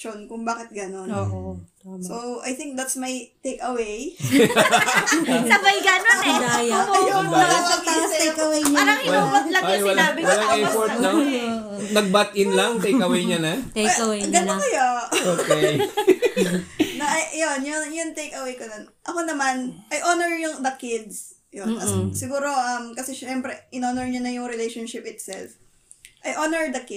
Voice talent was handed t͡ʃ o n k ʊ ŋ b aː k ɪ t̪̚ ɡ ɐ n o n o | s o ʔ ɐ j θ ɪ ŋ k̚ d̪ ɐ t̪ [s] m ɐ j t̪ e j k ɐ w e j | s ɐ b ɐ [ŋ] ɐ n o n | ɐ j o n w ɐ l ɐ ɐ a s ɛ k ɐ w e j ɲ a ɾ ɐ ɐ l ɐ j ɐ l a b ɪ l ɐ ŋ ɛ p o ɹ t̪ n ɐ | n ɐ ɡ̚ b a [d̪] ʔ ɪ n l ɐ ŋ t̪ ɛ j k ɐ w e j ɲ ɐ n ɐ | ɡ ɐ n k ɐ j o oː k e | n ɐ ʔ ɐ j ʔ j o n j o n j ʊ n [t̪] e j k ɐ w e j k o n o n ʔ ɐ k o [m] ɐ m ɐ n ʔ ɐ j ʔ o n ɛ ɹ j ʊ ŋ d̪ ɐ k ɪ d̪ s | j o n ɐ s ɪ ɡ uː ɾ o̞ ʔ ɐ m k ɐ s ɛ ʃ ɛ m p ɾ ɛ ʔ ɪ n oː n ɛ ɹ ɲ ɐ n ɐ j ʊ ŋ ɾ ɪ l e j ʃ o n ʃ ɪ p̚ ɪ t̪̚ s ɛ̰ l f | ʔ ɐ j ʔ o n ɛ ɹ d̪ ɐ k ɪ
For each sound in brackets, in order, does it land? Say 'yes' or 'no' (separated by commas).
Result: yes, no, no, yes, no